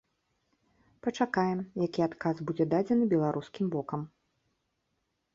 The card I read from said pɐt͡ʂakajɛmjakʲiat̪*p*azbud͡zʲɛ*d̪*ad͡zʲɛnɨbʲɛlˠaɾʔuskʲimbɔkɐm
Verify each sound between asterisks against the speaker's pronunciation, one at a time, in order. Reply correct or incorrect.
incorrect: k, correct

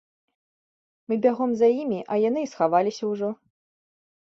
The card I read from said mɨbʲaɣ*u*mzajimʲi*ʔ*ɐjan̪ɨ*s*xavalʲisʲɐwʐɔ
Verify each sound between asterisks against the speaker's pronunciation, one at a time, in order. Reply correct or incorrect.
incorrect: ɔ, correct, correct

